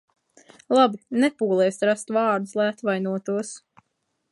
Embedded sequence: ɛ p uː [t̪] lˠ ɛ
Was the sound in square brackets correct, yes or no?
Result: no